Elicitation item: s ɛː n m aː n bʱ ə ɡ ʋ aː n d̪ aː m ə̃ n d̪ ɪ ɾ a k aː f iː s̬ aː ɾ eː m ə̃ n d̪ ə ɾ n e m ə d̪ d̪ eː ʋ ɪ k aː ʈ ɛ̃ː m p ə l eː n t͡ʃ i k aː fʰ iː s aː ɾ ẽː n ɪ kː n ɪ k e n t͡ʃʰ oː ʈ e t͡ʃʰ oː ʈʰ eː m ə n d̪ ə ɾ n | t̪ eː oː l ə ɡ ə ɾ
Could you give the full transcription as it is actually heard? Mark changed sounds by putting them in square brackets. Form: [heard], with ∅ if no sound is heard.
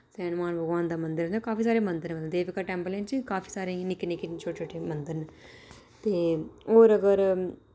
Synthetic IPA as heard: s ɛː n m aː n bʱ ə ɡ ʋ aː n d̪ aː m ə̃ n d̪ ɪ ɾ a k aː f iː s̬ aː ɾ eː m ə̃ n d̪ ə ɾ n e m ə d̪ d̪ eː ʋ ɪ k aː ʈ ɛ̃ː m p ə l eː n t͡ʃ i k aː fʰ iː s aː ɾ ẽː n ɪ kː n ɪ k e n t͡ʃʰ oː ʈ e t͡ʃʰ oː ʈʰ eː m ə n d̪ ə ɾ n | t̪ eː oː [ɾ] ə ɡ ə ɾ